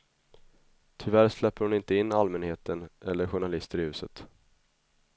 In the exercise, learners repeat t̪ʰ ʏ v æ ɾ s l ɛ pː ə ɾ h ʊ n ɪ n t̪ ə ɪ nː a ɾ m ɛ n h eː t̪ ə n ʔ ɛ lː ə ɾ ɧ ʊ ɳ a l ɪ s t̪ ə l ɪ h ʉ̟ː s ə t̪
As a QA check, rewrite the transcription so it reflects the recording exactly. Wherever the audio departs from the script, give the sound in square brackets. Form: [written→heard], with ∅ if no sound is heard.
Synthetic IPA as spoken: t̪ʰ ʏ v æ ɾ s l ɛ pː ə ɾ h ʊ n ɪ n t̪ ə ɪ nː a [ɾ→l] m ɛ n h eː t̪ ə n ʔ ɛ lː ə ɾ ɧ ʊ ɳ a l ɪ s t̪ ə [l→ɾ] ɪ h ʉ̟ː s ə t̪

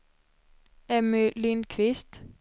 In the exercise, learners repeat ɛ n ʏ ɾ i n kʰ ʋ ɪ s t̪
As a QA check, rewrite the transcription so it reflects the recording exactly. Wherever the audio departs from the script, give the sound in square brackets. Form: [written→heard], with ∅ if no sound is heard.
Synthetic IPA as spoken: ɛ [n→m] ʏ [ɾ→l] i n kʰ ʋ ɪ s t̪

